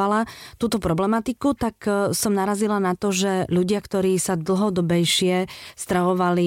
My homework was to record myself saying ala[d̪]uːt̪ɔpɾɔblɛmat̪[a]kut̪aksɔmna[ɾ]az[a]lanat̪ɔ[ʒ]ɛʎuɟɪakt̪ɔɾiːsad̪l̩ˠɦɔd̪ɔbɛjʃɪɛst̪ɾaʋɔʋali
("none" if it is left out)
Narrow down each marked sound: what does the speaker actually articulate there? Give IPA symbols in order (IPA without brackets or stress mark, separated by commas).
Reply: t̪, i, ɾ, i, ʒ